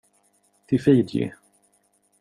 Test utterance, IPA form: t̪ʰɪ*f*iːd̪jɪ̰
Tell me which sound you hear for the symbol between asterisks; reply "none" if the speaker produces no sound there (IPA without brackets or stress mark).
f